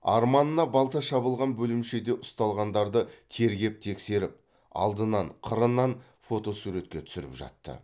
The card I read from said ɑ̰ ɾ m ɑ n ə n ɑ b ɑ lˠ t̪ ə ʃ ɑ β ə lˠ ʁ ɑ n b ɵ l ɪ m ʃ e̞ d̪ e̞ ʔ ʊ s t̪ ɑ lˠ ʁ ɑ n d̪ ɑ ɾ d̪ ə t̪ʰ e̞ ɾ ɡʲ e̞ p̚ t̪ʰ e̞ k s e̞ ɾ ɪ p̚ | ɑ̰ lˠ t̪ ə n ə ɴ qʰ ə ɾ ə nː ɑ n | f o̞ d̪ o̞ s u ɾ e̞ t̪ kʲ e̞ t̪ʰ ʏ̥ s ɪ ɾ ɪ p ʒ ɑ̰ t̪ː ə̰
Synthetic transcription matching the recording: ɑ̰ ɾ m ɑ n ə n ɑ b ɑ lˠ t̪ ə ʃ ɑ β ə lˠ ʁ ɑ n b ɵ l ɪ m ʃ e̞ d̪ e̞ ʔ ʊ s t̪ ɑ lˠ ʁ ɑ n d̪ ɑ ɾ d̪ ə t̪ʰ e̞ ɾ ɡʲ e̞ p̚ t̪ʰ e̞ k s e̞ ɾ ɪ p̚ | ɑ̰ lˠ d̪ ə n ɑ ɴ qʰ ə ɾ ə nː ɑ n | f o̞ t̪ o̞ s u ɾ e̞ t̪ kʲ e̞ t̪ʰ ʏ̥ s ɪ ɾ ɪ p ʒ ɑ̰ t̪ː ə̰